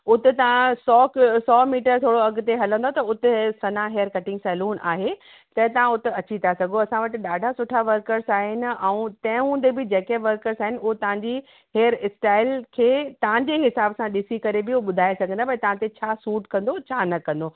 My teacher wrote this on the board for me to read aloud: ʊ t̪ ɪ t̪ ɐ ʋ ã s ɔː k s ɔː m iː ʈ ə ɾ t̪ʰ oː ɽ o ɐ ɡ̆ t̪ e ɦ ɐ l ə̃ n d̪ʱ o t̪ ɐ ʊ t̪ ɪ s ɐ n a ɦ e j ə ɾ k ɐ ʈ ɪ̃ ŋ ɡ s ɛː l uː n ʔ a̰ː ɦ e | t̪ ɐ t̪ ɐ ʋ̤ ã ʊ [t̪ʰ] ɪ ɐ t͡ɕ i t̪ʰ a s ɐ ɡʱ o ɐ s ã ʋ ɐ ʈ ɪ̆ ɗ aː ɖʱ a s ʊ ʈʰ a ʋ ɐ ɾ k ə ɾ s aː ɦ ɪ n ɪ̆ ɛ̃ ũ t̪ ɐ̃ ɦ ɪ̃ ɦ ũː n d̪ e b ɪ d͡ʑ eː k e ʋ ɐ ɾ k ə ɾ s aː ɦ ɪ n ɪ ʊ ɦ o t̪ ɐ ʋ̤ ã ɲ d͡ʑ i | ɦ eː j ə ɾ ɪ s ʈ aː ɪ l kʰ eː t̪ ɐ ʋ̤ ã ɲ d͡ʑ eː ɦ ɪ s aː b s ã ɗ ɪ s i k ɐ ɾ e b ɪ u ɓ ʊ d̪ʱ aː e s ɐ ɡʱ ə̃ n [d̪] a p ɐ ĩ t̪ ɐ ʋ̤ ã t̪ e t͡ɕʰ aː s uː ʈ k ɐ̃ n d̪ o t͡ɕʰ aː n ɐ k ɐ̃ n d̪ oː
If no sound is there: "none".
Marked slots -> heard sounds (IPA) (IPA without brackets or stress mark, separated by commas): t̪, d̪